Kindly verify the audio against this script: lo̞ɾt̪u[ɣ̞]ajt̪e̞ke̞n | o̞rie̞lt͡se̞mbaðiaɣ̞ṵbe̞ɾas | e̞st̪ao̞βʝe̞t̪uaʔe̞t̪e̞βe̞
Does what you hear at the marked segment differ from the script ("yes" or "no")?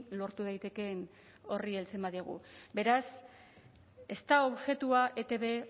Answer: yes